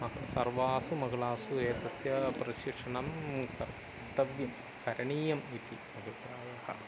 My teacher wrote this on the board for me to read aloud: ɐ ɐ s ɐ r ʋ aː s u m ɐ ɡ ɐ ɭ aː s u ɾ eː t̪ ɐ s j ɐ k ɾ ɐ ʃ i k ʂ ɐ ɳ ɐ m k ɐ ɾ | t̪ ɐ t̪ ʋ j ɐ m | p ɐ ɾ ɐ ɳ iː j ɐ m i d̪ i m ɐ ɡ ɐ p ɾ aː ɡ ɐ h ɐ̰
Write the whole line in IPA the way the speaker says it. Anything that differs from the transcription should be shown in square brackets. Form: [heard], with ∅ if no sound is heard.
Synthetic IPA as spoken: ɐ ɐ s ɐ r ʋ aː s u m ɐ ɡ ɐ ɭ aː s u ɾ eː t̪ ɐ s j ɐ [p] ɾ ɐ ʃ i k ʂ ɐ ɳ ɐ m k ɐ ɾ | t̪ ɐ [∅] ʋ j ɐ m | [k] ɐ ɾ ɐ ɳ iː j ɐ m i [t̪] i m ɐ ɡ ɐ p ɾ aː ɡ ɐ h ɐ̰

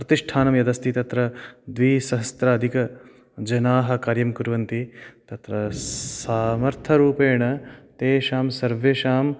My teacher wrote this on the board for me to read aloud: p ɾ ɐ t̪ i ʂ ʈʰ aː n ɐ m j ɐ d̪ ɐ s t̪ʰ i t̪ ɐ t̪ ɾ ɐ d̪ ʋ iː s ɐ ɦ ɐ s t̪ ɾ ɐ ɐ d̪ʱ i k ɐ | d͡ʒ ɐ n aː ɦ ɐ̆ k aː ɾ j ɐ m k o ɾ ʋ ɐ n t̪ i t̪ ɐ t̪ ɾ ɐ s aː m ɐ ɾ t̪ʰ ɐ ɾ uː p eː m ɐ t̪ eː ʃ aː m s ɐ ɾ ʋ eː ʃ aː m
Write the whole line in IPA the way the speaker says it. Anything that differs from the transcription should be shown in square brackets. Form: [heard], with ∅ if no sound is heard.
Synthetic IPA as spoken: p ɾ ɐ t̪ i ʂ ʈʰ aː n ɐ m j ɐ d̪ ɐ s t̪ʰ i t̪ ɐ t̪ ɾ ɐ d̪ ʋ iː s ɐ ɦ ɐ s t̪ ɾ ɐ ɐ d̪ʱ i k ɐ | d͡ʒ ɐ n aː ɦ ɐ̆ k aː ɾ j ɐ m k [u] ɾ ʋ ɐ n t̪ i t̪ ɐ t̪ ɾ ɐ s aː m ɐ ɾ t̪ʰ ɐ ɾ uː p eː [ɳ] ɐ t̪ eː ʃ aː m s ɐ ɾ ʋ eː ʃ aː m

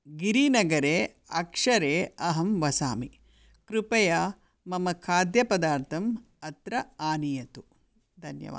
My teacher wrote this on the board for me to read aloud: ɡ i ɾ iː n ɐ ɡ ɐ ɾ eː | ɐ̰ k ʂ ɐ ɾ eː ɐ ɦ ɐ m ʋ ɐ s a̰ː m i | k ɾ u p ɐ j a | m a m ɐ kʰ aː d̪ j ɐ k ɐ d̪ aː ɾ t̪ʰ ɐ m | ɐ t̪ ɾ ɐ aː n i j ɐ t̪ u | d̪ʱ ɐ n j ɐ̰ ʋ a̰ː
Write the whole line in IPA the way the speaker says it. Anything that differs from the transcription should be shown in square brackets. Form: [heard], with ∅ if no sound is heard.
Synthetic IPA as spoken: ɡ i ɾ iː n ɐ ɡ ɐ ɾ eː | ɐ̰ k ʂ ɐ ɾ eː ɐ ɦ ɐ m ʋ ɐ s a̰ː m i | k ɾ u p ɐ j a | m [ɐ] m ɐ kʰ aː d̪ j ɐ [p] ɐ d̪ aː ɾ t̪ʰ ɐ m | ɐ t̪ ɾ ɐ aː n i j ɐ t̪ u | d̪ʱ ɐ n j ɐ̰ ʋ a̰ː

